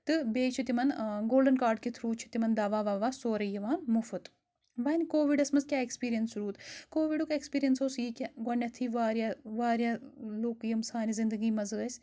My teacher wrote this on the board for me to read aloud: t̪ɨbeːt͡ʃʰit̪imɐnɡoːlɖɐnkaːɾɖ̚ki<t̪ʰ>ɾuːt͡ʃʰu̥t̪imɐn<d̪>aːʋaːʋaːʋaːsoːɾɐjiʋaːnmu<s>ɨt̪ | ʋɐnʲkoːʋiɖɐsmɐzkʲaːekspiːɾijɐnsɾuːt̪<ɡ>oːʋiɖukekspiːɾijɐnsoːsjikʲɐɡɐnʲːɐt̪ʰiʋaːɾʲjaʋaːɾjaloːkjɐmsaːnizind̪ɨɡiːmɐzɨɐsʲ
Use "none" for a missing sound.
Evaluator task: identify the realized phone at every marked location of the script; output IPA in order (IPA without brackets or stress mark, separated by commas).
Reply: t̪ʰ, d̪, f, k